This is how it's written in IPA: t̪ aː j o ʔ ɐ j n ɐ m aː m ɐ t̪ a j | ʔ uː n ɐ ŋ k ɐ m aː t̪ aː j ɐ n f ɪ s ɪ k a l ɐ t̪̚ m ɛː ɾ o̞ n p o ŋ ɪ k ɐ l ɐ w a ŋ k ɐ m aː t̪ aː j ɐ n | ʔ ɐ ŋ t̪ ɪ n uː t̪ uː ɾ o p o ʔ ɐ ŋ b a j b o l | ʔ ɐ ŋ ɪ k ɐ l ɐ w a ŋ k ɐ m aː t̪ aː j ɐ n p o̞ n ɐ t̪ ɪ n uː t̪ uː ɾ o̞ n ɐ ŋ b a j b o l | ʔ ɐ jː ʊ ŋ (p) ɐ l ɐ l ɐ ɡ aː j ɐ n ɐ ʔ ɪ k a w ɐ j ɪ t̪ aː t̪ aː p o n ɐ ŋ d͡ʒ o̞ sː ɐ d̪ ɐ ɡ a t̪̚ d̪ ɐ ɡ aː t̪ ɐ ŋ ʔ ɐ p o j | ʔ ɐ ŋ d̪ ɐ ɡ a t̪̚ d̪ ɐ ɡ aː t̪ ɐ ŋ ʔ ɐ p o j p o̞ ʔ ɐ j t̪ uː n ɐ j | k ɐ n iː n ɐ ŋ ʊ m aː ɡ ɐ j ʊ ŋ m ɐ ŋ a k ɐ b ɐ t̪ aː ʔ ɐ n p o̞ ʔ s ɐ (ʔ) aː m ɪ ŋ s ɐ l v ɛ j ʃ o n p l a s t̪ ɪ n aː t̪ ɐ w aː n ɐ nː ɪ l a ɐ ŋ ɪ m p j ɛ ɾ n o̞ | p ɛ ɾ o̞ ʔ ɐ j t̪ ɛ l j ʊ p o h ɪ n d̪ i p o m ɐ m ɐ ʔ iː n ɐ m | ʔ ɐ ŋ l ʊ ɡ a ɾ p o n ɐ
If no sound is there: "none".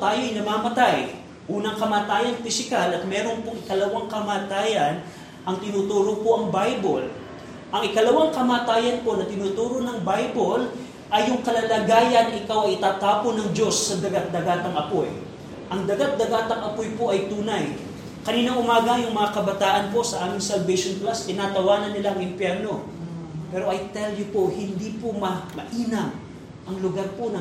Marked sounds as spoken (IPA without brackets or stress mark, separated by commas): k, ʔ